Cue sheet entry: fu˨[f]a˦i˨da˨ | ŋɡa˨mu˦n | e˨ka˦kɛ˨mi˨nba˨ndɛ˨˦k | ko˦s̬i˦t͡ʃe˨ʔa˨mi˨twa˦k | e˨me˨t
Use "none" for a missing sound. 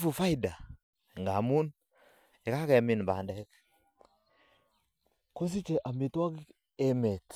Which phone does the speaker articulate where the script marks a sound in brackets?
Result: f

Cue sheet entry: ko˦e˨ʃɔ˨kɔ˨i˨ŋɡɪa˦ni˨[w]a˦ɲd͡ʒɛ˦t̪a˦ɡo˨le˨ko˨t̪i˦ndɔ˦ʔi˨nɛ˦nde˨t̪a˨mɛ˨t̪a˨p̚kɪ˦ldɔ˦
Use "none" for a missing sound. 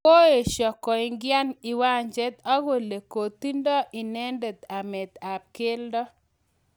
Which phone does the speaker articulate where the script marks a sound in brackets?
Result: w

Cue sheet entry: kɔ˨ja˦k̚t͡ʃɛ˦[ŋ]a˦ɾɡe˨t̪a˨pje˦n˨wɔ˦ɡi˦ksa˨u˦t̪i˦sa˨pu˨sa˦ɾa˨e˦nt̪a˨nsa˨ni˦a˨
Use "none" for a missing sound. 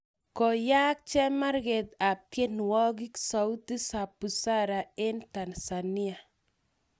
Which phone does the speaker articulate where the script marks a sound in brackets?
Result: m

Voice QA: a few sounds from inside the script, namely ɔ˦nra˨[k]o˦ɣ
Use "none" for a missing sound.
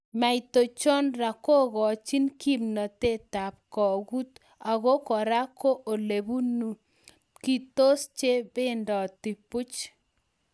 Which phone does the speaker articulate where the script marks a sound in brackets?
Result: k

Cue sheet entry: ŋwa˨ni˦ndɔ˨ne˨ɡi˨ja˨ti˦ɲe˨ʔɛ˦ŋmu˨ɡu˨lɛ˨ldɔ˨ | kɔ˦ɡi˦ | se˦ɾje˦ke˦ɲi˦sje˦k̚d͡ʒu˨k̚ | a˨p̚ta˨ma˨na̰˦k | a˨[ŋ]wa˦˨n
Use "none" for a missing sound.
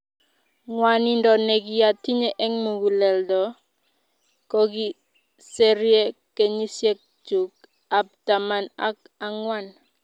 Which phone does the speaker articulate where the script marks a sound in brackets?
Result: ŋ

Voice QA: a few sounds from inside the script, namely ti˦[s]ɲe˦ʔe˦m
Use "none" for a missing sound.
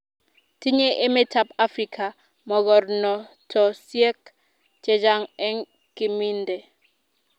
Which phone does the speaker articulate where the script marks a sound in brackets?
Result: none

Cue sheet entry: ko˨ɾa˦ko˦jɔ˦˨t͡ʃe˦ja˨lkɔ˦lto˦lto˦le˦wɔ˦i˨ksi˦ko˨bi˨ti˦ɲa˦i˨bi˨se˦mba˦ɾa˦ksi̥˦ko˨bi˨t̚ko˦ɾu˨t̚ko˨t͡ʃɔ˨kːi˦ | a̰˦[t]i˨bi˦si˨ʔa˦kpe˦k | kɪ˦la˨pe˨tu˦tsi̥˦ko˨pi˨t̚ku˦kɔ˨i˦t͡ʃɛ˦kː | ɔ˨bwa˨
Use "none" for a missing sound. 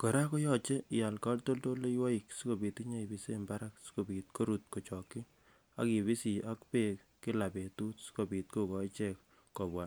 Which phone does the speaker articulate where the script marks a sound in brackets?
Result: k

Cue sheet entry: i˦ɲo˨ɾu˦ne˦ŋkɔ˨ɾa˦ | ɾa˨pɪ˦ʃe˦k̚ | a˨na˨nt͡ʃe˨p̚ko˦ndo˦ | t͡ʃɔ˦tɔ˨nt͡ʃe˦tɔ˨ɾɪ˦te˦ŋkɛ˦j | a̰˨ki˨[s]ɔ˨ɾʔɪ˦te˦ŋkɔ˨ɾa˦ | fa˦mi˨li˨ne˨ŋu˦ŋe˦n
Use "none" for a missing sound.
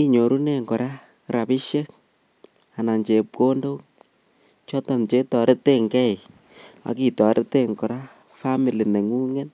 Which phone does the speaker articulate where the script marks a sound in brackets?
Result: t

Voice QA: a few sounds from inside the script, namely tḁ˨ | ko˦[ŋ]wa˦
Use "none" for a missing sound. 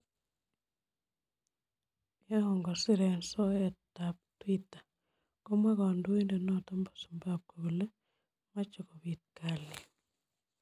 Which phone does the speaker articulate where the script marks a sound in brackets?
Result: m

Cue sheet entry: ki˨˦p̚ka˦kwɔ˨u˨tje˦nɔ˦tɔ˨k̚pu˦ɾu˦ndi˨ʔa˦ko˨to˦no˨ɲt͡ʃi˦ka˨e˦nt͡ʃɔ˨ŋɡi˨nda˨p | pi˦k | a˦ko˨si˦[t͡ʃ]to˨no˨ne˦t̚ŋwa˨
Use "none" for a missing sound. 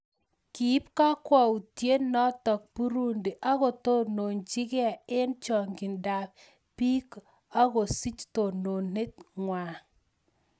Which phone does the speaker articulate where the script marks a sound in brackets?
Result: t͡ʃ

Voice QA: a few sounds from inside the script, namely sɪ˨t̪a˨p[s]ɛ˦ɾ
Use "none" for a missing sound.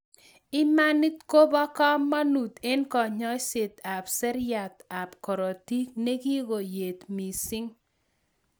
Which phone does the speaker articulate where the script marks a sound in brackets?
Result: s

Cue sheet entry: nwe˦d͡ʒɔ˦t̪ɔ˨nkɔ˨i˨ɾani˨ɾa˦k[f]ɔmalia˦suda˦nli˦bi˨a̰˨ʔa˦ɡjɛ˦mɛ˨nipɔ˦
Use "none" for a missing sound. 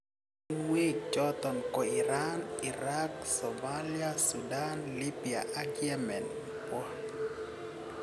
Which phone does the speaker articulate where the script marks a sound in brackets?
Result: s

